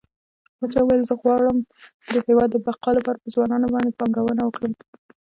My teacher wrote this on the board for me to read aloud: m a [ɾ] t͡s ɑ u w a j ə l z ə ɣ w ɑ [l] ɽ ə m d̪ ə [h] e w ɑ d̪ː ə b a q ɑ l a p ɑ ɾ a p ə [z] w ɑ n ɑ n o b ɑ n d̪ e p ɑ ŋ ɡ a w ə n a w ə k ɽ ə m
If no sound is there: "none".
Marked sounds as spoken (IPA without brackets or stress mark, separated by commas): none, none, h, z